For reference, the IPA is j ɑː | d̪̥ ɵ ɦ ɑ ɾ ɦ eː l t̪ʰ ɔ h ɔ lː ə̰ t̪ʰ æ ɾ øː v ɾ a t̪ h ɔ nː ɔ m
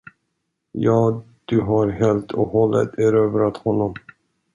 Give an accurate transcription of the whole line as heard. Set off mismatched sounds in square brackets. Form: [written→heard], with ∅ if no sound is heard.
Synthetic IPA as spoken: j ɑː | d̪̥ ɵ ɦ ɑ ɾ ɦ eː l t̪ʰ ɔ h ɔ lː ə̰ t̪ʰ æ ɾ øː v ɾ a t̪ h ɔ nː ɔ m

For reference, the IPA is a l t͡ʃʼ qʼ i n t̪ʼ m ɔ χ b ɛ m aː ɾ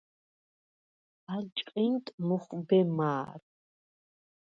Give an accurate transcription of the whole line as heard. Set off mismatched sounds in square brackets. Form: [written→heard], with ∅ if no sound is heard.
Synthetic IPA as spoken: a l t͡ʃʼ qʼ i n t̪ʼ m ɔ χ b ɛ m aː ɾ

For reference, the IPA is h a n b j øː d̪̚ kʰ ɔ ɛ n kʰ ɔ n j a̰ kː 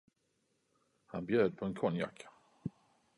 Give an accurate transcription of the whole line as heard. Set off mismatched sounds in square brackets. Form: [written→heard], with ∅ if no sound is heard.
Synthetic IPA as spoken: h a n b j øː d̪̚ [kʰ→pʰ] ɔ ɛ n kʰ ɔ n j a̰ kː

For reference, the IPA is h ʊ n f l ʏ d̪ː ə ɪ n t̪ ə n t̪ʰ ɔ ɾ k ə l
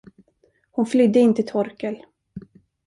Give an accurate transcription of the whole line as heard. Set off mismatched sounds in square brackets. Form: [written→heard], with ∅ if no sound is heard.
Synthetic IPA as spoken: h ʊ n f l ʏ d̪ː ə ɪ n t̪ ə [n→∅] t̪ʰ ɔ ɾ k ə l

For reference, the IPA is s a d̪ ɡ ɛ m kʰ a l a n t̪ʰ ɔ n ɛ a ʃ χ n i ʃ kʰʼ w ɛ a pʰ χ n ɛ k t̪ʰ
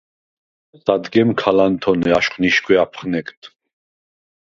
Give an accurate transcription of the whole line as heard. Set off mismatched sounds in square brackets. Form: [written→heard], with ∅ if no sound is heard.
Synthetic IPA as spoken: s a d̪ ɡ ɛ m kʰ a l a n t̪ʰ ɔ n ɛ a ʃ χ n i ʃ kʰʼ w ɛ a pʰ χ n ɛ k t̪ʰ

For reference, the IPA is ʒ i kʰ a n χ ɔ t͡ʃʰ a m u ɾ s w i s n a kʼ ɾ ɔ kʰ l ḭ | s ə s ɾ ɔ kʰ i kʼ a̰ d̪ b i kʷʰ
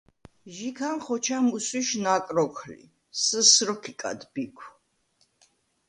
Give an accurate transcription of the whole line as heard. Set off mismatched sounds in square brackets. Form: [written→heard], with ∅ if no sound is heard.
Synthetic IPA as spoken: ʒ i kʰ a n χ ɔ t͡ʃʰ a m u [ɾ→∅] s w i [s→ʃ] n a kʼ ɾ ɔ kʰ l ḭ | s ə s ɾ ɔ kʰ i kʼ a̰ d̪ b i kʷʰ

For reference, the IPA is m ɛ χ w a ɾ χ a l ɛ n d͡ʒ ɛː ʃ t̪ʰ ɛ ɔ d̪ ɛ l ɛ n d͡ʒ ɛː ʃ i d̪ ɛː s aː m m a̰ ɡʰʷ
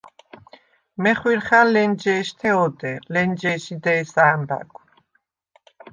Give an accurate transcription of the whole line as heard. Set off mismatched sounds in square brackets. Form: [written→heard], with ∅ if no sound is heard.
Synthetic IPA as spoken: m ɛ χ w [a→i] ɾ χ a l ɛ n d͡ʒ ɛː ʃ t̪ʰ ɛ ɔ d̪ ɛ l ɛ n d͡ʒ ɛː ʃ i d̪ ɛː s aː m [m→b] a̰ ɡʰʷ

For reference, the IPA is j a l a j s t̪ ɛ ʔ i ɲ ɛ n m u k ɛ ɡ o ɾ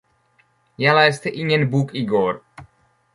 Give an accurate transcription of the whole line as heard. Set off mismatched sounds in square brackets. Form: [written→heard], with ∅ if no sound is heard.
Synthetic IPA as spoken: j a l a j s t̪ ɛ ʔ i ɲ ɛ n [m→b] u k [ɛ→i] ɡ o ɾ

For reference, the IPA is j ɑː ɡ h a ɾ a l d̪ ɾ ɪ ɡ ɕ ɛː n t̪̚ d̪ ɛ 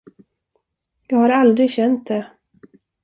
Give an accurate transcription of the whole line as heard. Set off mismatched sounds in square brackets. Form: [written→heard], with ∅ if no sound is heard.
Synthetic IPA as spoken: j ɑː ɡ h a ɾ a l d̪ ɾ ɪ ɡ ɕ [ɛː→ɛ] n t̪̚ d̪ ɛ

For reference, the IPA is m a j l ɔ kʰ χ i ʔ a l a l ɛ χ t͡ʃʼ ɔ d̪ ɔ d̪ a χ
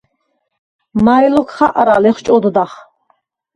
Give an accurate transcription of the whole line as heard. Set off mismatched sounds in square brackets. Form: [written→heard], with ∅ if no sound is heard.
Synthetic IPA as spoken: m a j l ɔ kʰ χ [i→a] ʔ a [l→ɾ] a l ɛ χ t͡ʃʼ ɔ d̪ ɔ d̪ a χ

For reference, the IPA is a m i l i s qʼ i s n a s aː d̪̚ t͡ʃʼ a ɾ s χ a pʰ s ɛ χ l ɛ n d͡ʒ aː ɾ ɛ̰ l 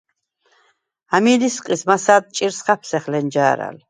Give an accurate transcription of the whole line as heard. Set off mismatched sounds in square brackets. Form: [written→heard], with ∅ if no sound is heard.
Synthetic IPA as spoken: a m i l i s qʼ i s [n→m] a s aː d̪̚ t͡ʃʼ [a→i] ɾ s χ a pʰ s ɛ χ l ɛ n d͡ʒ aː ɾ [ɛ̰→a̰] l

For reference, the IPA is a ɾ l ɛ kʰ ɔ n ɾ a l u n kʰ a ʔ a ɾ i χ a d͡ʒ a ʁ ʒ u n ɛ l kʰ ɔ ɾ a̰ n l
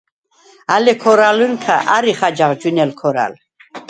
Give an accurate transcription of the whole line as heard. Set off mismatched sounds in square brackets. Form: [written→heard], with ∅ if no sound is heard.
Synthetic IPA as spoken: a [ɾ→∅] l ɛ kʰ ɔ [n→∅] ɾ a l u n kʰ a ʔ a ɾ i χ a d͡ʒ a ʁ [ʒ→d͡ʒ] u n ɛ l kʰ ɔ ɾ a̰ [n→∅] l

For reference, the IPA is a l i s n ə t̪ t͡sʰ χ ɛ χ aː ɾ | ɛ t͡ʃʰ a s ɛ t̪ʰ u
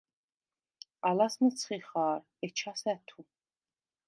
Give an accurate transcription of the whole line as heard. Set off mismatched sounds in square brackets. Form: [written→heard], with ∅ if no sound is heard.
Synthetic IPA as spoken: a l [i→a] s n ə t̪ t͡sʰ χ [ɛ→i] χ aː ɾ | ɛ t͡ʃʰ a s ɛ t̪ʰ u

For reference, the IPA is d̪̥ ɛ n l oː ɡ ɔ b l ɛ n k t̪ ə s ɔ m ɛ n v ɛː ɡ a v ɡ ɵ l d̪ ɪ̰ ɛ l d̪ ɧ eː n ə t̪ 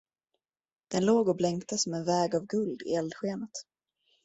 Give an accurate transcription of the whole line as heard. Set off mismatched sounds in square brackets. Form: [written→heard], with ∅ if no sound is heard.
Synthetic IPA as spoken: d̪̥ ɛ n l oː ɡ ɔ b l ɛ [n→ŋ] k t̪ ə s ɔ m ɛ n v ɛː ɡ a v ɡ ɵ l d̪ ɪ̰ ɛ l d̪ ɧ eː n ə t̪

